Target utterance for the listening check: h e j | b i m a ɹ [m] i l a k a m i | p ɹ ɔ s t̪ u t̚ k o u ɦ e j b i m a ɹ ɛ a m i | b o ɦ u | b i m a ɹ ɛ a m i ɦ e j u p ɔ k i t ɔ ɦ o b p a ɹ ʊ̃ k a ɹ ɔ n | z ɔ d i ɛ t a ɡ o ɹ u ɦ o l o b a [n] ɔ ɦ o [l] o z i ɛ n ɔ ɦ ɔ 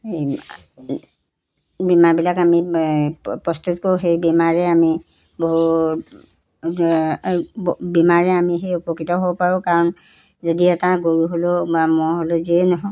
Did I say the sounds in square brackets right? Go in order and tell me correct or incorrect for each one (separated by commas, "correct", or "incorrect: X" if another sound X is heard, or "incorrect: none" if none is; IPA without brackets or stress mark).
incorrect: b, incorrect: m, correct